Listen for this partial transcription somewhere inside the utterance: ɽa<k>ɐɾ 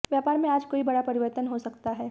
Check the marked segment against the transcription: incorrect: p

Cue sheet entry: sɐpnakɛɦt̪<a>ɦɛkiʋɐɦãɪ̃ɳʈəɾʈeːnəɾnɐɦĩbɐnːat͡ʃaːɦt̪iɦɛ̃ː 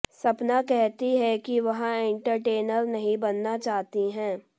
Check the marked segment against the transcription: incorrect: i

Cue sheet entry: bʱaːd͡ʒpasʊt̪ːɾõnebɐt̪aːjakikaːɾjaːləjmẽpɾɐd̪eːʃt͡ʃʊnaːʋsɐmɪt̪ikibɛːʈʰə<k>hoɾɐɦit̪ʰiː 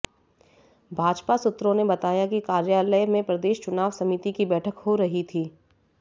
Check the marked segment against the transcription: correct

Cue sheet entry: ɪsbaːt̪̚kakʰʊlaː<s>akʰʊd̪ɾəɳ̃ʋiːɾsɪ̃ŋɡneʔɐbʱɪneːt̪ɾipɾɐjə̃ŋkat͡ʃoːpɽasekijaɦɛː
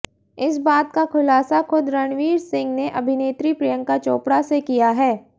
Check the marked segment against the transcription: correct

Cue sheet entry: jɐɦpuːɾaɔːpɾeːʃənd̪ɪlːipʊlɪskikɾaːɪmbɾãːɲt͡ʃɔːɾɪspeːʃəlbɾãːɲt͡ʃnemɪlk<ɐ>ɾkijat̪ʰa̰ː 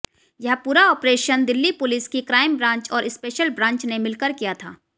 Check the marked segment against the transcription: incorrect: ə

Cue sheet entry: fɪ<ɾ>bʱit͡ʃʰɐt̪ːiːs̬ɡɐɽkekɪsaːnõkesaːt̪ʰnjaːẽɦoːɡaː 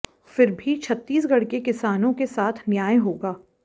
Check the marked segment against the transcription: correct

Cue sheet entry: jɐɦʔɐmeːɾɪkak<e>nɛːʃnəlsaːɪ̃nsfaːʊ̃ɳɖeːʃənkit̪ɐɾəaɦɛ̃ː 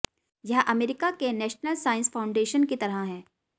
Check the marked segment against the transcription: correct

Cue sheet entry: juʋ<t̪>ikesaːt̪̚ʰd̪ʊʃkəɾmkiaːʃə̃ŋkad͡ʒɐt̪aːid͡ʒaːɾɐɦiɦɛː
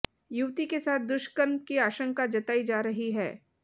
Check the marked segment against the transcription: correct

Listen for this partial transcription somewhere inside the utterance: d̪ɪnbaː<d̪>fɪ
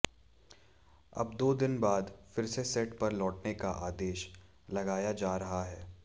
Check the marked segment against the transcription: correct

